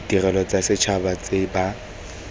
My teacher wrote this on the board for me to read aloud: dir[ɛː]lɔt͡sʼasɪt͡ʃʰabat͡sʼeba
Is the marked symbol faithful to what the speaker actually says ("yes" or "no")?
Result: no